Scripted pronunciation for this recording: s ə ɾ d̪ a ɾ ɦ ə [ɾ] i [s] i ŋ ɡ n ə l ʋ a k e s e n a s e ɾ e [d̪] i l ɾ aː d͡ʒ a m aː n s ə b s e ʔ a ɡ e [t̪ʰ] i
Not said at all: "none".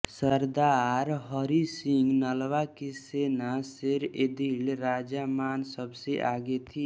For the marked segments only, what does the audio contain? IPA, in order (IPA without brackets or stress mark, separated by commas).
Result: ɾ, s, d̪, t̪ʰ